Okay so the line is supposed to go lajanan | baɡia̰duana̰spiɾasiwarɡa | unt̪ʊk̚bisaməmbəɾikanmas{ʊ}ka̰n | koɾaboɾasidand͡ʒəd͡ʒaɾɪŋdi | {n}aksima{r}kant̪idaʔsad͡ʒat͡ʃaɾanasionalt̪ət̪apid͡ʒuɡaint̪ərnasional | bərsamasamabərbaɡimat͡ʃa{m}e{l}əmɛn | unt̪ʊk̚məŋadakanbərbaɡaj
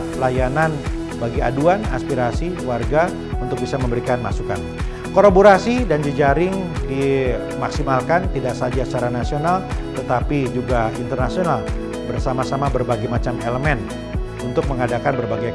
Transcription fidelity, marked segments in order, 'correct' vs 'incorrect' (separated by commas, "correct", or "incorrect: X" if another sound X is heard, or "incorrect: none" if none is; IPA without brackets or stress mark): incorrect: u, incorrect: m, incorrect: l, correct, correct